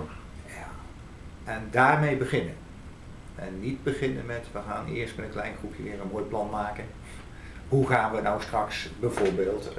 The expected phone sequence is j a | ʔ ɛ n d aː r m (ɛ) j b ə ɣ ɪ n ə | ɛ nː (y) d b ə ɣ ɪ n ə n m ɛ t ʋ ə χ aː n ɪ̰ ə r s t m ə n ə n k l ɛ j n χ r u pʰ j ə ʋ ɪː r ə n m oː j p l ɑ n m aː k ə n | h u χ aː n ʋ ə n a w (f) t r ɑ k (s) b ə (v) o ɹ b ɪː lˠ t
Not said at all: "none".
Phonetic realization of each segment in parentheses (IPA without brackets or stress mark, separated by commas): e, i, s, s, v